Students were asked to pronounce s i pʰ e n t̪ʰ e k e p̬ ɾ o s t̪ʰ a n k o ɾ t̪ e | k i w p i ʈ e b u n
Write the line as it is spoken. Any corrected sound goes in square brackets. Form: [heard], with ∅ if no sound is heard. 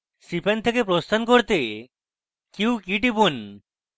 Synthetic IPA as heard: s i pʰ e n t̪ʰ e k e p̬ ɾ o s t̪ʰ a n k o ɾ t̪ e | k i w [k] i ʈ [i] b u n